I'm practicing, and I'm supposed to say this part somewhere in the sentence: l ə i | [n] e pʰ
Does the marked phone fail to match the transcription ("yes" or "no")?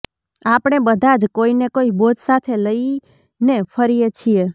no